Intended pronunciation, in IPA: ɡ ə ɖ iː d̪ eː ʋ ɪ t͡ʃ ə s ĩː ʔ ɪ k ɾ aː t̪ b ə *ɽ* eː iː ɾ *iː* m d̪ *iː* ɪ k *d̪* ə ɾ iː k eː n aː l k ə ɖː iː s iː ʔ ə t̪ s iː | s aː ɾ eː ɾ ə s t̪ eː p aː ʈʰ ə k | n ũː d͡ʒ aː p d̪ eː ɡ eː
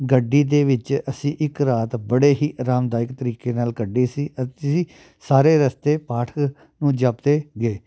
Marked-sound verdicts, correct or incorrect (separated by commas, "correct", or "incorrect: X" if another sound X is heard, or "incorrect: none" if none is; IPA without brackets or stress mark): correct, incorrect: aː, incorrect: aː, incorrect: t̪